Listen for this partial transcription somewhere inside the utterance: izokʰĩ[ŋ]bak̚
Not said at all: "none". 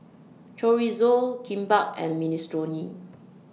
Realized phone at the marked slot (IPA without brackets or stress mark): m